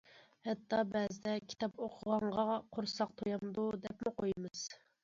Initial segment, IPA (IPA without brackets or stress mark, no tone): h